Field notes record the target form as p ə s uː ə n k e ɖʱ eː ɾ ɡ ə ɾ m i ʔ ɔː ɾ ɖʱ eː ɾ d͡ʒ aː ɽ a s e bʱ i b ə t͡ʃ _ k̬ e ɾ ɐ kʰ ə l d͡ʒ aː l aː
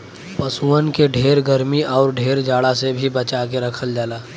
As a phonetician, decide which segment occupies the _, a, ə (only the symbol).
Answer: a